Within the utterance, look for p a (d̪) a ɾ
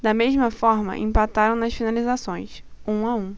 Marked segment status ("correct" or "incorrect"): incorrect